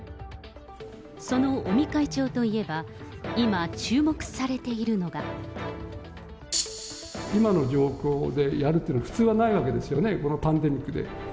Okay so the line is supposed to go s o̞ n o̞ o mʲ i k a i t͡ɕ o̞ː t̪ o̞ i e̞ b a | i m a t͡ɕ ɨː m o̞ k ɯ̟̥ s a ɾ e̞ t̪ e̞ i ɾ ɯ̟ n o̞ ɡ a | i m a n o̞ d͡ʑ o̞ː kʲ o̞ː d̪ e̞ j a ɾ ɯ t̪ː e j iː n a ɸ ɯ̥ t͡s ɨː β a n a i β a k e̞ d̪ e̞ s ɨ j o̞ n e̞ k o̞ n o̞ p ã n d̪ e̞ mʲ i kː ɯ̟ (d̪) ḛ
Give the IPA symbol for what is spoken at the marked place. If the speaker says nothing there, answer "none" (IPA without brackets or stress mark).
d̪